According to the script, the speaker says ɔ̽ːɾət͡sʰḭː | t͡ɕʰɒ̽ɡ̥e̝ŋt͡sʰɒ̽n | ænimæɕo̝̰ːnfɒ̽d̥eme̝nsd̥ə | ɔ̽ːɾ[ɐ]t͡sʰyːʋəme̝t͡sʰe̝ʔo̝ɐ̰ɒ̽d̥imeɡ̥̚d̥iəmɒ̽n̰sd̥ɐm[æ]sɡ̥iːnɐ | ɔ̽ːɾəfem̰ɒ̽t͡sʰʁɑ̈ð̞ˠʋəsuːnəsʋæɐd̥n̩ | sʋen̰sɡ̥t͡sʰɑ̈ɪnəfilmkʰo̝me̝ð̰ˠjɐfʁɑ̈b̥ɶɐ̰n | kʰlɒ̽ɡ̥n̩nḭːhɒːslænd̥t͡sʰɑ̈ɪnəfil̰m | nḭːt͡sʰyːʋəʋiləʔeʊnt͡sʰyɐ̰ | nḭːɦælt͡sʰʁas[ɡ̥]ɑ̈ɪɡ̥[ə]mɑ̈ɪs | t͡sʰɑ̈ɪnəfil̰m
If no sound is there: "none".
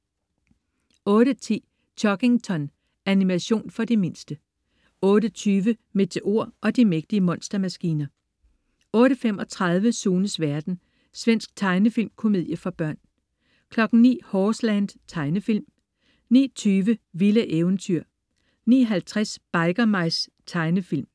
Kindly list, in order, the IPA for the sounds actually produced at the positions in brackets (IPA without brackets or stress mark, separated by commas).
ə, æ, b̥, ɐ